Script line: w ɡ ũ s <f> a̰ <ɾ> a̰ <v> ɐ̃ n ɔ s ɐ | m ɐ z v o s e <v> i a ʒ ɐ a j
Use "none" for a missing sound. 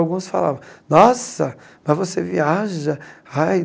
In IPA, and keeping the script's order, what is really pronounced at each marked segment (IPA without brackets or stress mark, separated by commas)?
f, l, v, v